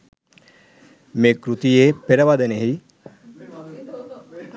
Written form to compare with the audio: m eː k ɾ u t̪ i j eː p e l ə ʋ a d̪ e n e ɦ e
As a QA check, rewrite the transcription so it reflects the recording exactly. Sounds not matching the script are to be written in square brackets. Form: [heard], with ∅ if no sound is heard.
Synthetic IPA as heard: m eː k ɾ u t̪ i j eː p e [ɾ] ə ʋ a d̪ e n e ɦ [i]